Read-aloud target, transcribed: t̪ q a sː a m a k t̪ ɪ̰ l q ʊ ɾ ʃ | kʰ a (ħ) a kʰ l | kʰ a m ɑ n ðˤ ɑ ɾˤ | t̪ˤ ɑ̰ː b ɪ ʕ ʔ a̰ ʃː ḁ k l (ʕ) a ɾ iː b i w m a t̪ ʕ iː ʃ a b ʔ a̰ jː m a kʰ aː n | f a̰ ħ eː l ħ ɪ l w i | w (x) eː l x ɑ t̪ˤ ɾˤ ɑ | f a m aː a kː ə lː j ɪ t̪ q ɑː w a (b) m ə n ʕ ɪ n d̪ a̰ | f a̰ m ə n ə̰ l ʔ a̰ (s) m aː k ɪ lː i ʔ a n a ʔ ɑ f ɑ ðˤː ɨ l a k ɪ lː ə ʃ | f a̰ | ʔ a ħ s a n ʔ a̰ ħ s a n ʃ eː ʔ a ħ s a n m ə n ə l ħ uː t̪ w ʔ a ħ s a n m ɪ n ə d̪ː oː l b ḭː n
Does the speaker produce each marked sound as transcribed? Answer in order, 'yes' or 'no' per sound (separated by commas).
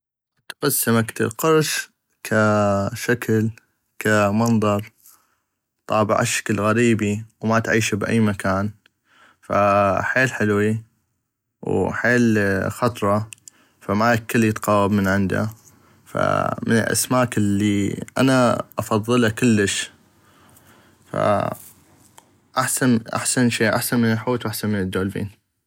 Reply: no, no, no, yes, yes